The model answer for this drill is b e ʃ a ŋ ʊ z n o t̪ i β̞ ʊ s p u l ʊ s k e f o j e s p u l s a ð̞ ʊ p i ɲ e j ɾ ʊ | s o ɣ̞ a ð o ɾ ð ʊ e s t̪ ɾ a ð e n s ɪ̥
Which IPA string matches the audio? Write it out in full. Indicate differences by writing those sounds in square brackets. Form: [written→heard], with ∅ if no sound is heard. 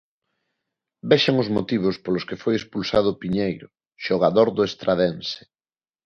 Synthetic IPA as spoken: b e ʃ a ŋ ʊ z [n→m] o t̪ i β̞ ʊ s p [u→o] l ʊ s k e f o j e s p u l s a ð̞ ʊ p i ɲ e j ɾ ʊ | [s→ʃ] o ɣ̞ a ð o ɾ ð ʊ e s t̪ ɾ a ð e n s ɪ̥